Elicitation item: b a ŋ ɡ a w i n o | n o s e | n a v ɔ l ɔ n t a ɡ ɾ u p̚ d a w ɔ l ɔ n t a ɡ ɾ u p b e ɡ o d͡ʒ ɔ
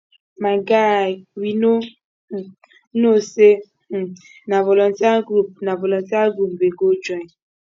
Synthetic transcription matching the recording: m a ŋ ɡ a w i n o | n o s e | n a v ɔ l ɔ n t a ɡ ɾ u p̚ n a v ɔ l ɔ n t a ɡ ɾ u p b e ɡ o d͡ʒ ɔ